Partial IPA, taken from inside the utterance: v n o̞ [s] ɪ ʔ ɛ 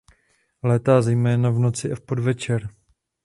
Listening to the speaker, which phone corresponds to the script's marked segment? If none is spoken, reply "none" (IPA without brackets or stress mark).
t͡s